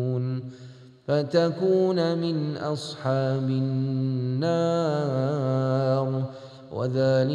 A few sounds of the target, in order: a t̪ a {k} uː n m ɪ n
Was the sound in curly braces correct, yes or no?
yes